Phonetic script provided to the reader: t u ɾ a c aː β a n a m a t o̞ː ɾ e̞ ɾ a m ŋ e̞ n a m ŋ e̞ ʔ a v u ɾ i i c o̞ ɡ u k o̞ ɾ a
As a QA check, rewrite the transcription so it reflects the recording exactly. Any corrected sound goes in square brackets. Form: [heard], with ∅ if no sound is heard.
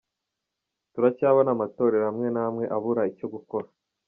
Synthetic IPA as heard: t u ɾ a c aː β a n a m a t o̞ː ɾ e̞ ɾ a m ŋ e̞ n a m ŋ e̞ ʔ a [β] u ɾ [a] i c o̞ ɡ u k o̞ ɾ a